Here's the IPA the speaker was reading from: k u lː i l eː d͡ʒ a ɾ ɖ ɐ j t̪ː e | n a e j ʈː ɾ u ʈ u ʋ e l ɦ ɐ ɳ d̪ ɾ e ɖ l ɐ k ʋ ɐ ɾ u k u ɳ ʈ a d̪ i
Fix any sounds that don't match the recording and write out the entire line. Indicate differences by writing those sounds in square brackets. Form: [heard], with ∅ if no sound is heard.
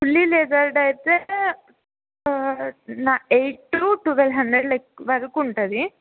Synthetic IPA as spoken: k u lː i l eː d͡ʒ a ɾ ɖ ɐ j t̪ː e | n a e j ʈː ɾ u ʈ u ʋ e l ɦ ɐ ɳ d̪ ɾ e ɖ l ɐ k ʋ ɐ ɾ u k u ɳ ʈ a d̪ i